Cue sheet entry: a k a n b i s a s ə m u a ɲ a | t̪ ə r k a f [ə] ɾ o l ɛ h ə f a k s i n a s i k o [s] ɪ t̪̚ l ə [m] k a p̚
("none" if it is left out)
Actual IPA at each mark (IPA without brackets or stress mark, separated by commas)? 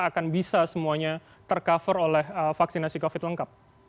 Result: ə, f, ŋ